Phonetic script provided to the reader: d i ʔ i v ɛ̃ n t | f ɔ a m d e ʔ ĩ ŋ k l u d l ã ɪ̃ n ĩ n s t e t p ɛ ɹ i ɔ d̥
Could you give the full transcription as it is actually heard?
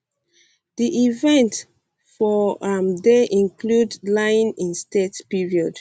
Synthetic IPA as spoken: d i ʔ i v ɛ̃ n t | f ɔ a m d e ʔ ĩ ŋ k l u d l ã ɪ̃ n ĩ n s t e t p i ɹ i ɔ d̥

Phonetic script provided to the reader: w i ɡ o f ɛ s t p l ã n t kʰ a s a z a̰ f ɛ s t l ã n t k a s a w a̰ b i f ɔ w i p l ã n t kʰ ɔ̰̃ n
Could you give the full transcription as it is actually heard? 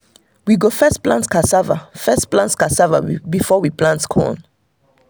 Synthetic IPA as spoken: w i ɡ o f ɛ s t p l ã n t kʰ a s a v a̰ f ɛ s p l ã n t k a s a v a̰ b i f ɔ w i p l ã n t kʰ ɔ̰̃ n

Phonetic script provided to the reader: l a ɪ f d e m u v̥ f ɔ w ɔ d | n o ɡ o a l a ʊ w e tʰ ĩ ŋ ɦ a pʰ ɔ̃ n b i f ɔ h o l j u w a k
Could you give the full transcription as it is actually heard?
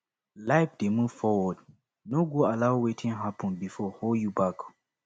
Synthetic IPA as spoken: l a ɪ f d e m u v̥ f ɔ w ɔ d | n o ɡ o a l a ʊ w e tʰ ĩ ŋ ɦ a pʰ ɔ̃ n b i f ɔ h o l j u b a k

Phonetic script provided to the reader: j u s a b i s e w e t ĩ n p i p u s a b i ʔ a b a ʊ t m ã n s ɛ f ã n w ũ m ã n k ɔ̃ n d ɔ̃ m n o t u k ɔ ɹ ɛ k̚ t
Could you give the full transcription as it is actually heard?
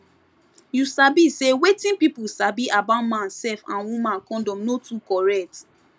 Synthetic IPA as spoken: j u s a b i s e w e t ĩ n p i p u s a b i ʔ a b a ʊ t m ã n s ɛ f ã n w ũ m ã n k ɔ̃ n d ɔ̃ m n o t u k ɔ ɹ ɛ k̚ t

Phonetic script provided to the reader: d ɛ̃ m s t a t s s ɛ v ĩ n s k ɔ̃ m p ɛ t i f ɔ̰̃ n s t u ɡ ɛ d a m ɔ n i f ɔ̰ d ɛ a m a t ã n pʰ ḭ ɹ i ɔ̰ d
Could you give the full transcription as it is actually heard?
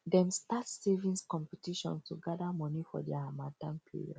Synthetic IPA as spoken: d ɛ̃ m s t a t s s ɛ v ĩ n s k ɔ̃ m p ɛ t i ʃ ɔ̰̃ n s t u ɡ a d a m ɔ n i f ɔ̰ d ɛ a m a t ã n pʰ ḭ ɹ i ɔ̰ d

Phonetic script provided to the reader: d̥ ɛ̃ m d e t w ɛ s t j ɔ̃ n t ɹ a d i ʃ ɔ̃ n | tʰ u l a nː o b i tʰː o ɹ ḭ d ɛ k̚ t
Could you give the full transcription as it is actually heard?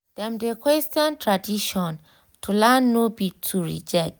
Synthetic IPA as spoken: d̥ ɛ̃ m d e k w ɛ s t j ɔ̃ n t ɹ a d i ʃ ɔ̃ n | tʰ u l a nː o b i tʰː u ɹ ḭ d͡ʒ ɛ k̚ t

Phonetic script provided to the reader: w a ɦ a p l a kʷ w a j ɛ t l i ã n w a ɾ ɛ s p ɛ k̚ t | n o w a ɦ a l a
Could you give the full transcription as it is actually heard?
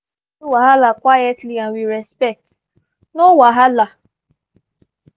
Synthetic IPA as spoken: w a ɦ a l a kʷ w a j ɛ t l i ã n w i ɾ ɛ s p ɛ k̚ t | n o w a ɦ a l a

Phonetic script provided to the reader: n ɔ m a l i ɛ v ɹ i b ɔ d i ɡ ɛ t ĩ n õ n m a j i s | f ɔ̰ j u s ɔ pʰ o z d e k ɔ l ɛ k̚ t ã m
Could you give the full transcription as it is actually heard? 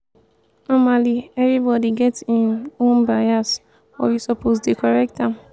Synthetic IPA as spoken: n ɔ m a l i ɛ v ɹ i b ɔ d i ɡ ɛ t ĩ n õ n b a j a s | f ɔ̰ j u s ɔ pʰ o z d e k ɔ ɹ ɛ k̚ t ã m

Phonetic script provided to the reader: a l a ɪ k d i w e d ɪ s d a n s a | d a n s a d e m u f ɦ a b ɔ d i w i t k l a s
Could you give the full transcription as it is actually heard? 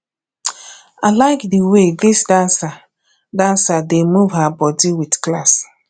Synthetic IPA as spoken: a l a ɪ k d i w e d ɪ s d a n s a | d a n s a d e m u v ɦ a b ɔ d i w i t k l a s

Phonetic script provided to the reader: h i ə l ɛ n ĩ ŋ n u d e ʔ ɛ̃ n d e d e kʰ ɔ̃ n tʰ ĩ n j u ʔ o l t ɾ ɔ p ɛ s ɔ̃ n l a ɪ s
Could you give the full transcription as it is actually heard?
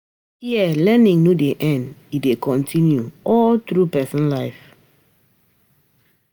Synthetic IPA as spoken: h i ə l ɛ n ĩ ŋ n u d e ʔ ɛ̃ n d i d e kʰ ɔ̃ n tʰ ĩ n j u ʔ ɔ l t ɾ u p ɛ s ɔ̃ n l a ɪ f

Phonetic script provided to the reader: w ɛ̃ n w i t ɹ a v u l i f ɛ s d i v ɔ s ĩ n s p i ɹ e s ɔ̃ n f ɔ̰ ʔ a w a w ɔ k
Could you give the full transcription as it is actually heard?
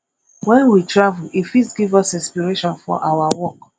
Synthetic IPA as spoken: w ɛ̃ n w i t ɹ a v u l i f i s ɡ i v ɔ s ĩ n s p i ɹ e ʃ ɔ̃ n f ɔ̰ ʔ a w a w ɔ k

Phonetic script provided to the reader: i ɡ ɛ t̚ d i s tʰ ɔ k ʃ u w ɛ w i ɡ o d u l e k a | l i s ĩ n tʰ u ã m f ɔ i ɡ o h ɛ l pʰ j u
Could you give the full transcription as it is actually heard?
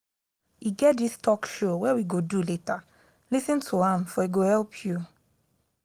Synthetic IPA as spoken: i ɡ ɛ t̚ d i s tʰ ɔ k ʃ o w ɛ w i ɡ o d u l e t a | l i s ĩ n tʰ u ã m f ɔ i ɡ o h ɛ l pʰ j u

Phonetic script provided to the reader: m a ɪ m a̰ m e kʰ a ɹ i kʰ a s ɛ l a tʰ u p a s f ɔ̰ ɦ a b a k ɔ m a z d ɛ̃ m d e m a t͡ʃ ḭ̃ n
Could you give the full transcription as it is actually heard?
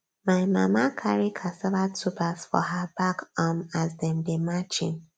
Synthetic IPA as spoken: m a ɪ m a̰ m a kʰ a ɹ i kʰ a s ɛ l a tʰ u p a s f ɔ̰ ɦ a b a k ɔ m a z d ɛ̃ m d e m a t͡ʃ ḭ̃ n

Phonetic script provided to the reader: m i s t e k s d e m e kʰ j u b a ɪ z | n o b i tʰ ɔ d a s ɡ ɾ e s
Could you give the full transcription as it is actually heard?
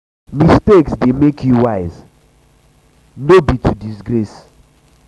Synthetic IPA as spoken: m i s t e k s d e m e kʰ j u w a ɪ z | n o b i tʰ u d i s ɡ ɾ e s

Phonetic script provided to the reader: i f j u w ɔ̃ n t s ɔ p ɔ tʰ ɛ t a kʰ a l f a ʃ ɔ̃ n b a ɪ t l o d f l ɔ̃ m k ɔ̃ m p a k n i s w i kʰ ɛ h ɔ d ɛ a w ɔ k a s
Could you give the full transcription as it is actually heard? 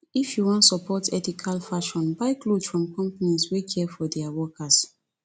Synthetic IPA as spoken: i f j u w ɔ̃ n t s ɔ p ɔ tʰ ɛ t i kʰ a l f a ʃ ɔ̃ n b a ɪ k l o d f ɹ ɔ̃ m k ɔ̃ m p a n i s w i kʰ ɛ f ɔ d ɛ a w ɔ k a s

